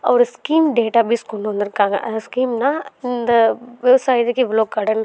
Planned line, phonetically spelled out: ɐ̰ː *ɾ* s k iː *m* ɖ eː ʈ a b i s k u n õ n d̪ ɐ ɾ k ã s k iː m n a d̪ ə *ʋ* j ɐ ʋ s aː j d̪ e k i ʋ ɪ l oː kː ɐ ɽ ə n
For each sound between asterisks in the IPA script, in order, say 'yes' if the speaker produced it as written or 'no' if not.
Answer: yes, yes, yes

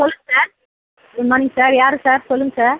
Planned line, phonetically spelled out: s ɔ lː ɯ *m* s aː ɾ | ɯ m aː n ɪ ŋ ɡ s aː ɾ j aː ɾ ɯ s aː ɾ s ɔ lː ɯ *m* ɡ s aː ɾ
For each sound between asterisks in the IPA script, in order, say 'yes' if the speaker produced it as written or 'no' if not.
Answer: no, no

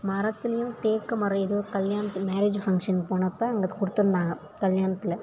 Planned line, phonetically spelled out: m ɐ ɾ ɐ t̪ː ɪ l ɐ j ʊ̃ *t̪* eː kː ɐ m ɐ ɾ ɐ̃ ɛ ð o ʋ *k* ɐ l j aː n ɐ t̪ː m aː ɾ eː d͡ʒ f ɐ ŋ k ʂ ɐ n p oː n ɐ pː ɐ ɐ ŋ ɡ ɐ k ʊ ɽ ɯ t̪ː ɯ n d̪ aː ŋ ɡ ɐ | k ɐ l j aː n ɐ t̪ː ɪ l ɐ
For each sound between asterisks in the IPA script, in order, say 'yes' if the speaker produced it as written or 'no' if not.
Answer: yes, yes

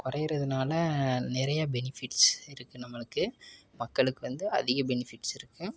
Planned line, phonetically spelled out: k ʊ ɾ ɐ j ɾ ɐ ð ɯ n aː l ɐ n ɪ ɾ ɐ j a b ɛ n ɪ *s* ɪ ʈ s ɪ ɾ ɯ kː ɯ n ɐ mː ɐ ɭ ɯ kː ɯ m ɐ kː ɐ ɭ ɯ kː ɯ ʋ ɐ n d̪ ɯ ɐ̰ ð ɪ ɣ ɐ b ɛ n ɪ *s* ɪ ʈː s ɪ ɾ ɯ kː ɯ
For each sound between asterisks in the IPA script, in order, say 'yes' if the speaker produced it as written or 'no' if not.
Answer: no, no

